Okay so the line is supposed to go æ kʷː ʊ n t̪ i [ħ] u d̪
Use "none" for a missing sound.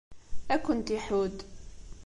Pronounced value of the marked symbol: ħ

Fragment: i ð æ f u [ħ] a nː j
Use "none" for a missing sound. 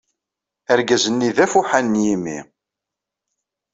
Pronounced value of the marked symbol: ħ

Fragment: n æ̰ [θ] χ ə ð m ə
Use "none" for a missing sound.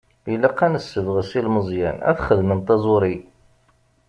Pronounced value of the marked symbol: θ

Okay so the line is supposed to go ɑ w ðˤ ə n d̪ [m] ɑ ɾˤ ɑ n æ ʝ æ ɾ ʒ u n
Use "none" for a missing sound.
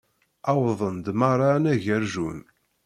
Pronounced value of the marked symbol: m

